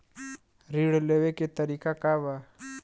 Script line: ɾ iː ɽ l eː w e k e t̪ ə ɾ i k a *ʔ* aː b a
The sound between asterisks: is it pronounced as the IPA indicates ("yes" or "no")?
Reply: no